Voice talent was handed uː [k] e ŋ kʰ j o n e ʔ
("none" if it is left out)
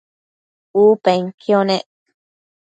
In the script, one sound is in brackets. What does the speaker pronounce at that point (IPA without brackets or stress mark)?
p